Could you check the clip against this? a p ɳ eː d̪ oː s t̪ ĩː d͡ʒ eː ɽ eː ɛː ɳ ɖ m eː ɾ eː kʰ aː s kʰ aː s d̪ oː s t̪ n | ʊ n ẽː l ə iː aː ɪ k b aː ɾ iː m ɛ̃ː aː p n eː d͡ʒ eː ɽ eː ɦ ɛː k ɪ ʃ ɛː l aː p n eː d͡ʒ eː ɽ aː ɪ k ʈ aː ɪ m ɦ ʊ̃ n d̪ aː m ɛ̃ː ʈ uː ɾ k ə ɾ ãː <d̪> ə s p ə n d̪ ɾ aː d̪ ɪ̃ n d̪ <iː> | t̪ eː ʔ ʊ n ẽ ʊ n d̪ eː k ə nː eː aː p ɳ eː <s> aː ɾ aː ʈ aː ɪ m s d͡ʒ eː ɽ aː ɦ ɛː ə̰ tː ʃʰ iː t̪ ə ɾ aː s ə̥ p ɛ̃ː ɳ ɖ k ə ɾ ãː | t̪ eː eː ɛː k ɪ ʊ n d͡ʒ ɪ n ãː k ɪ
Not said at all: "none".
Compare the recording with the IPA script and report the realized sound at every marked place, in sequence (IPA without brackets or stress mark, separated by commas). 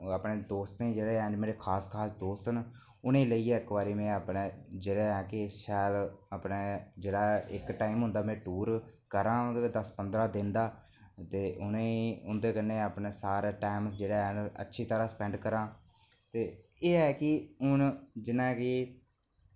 d̪, aː, s